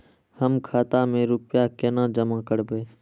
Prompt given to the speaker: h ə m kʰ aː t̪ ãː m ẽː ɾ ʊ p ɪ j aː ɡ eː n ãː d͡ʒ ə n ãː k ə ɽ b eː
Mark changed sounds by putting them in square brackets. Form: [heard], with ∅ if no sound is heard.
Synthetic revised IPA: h ə m kʰ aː t̪ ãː m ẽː ɾ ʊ p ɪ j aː [k] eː n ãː d͡ʒ ə [m] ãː k ə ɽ b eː

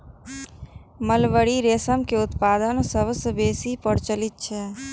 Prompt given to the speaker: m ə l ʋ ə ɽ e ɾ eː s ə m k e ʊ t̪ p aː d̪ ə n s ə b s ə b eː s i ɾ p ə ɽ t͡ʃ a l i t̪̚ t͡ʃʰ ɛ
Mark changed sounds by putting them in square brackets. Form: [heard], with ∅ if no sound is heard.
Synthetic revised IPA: m ə l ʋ ə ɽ [i] ɾ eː s ə m k e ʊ t̪ p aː d̪ ə n s ə b s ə b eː s i [∅] p ə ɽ t͡ʃ [ə] l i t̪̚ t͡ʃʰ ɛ

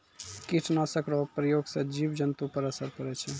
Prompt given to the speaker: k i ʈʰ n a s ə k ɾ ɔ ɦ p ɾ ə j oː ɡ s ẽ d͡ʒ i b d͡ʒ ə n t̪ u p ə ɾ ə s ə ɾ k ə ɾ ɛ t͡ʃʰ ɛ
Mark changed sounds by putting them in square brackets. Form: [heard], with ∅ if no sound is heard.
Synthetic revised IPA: k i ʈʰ n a s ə k ɾ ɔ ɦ p ɾ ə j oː ɡ s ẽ d͡ʒ i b d͡ʒ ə n t̪ u p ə ɾ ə s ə ɾ k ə ɾ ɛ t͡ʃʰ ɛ

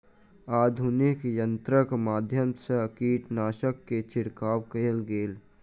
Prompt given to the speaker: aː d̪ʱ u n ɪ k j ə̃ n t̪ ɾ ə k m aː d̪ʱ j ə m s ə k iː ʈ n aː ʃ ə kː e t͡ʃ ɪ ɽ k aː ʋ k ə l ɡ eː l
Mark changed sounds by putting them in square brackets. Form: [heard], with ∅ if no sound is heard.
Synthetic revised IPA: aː d̪ʱ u n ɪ k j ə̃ n t̪ ɾ ə k m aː d̪ʱ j ə m s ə k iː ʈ n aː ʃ ə kː e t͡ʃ ɪ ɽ k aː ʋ k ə l ɡ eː l

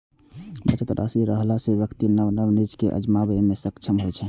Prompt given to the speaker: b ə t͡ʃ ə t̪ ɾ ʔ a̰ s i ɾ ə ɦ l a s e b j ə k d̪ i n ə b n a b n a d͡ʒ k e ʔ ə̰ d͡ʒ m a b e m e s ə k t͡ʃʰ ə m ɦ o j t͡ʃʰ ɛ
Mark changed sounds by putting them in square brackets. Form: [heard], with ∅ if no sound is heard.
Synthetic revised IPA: b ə t͡ʃ ə t̪ ɾ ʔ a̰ s i ɾ ə ɦ l a s e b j ə k [t̪] i n ə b n [ə] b n [i] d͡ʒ k e ʔ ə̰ d͡ʒ m a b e m e s ə k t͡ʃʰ ə m ɦ o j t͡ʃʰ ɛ

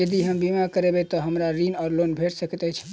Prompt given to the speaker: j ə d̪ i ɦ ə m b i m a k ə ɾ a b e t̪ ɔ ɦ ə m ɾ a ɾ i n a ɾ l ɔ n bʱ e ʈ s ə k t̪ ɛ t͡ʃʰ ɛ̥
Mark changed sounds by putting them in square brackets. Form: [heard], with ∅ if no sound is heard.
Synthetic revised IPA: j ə d̪ i ɦ ə m b i m a k ə ɾ [e] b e t̪ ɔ ɦ ə m ɾ a ɾ i n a ɾ l [o] n bʱ e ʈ s ə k t̪ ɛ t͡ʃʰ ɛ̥

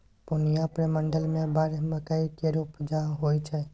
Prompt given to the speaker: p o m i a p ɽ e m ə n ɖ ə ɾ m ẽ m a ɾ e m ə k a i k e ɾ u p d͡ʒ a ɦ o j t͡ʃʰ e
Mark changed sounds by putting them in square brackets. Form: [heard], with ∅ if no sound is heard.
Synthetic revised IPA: p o [n] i a p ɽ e m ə [ɳ] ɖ ə [l] m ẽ [b] a ɾ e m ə k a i k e ɾ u p d͡ʒ a ɦ o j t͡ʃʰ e

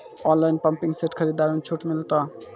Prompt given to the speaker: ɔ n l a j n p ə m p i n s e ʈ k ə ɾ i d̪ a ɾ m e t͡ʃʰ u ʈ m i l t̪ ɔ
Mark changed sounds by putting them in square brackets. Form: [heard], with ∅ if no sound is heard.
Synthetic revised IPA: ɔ n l a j n p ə m p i [ŋ] s e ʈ [kʰ] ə ɾ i d̪ a ɾ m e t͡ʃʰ u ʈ m i l t̪ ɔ

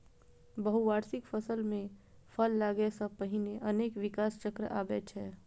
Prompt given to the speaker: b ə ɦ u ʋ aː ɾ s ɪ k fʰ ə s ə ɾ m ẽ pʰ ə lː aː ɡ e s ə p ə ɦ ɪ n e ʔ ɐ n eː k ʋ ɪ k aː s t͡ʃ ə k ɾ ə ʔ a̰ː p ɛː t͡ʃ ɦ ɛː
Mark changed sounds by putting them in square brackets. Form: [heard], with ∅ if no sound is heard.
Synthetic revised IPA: b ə ɦ u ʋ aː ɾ s ɪ k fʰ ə s ə [l] m ẽ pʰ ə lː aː ɡ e s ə p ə ɦ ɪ n e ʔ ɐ n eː k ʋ ɪ k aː s t͡ʃ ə k ɾ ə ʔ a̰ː [b] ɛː t͡ʃ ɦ ɛː

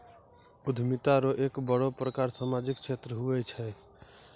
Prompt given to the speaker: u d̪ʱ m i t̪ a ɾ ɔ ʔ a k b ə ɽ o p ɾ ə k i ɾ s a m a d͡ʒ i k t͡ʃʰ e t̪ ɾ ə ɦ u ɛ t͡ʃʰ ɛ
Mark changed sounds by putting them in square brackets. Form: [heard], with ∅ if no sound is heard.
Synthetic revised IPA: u d̪ʱ m i t̪ a ɾ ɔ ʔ [e] k b ə ɽ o p ɾ ə k [a] ɾ s a m a d͡ʒ i k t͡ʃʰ e t̪ ɾ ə ɦ u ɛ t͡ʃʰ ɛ

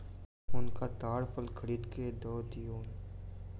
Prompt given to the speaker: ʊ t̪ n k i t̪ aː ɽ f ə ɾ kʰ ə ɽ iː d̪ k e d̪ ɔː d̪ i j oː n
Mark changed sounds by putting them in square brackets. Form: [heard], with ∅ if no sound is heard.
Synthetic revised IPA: ʊ [∅] n k [a] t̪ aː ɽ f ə [l] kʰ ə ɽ iː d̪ k e d̪ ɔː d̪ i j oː n

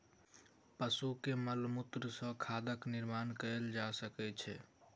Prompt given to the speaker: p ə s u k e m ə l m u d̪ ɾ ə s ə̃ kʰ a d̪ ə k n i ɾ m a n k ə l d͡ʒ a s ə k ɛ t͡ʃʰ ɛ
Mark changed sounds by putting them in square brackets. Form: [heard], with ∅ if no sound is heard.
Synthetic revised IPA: p ə s u k e m ə l m u [t̪] ɾ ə s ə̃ kʰ a d̪ ə k n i ɾ m a n k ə l d͡ʒ a s ə k ɛ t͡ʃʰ ɛ

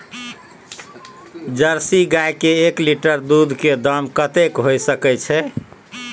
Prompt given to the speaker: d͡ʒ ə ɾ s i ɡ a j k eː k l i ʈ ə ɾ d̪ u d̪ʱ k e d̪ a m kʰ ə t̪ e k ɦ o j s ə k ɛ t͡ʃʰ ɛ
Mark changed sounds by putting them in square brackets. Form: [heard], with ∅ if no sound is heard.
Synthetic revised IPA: d͡ʒ ə ɾ s i ɡ a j k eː k l i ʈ ə ɾ d̪ u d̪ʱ k e d̪ [ə] m [k] ə t̪ e k ɦ o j s ə k ɛ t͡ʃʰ ɛ

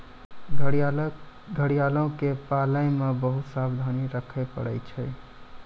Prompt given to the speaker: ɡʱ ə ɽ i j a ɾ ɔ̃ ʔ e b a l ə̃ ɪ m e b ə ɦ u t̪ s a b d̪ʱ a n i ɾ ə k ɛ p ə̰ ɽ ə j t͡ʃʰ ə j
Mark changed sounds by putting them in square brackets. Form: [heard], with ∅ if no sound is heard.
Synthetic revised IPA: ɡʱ ə ɽ i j a [l] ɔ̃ [k] e [p] a l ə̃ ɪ m e b ə ɦ u t̪ s a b d̪ʱ a n i ɾ ə [kʰ] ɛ p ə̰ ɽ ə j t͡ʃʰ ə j

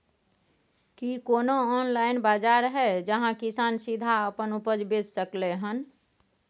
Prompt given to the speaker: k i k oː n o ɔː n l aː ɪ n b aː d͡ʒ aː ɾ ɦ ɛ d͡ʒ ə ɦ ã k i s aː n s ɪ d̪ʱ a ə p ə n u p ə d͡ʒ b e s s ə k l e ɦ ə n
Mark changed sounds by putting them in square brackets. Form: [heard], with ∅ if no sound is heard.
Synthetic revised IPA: k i k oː n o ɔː n l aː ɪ n b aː d͡ʒ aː ɾ ɦ ɛ d͡ʒ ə ɦ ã k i s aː n s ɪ d̪ʱ a ə p ə n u p ə d͡ʒ b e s s ə k l e ɦ ə n

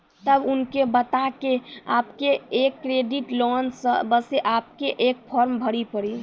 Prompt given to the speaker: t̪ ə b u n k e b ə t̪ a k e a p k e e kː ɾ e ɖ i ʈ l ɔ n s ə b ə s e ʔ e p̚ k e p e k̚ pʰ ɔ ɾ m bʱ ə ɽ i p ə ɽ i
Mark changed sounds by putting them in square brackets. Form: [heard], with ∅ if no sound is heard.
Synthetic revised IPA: t̪ ə b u n k e b ə t̪ a k e a p k e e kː ɾ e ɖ i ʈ l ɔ n s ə b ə s e ʔ [a] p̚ k e [ʔ] e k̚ pʰ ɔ ɾ m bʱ ə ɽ i p ə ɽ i

